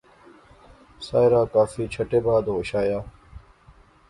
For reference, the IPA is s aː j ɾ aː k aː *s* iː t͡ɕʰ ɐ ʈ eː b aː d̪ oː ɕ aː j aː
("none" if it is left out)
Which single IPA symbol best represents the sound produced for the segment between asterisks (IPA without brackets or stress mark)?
f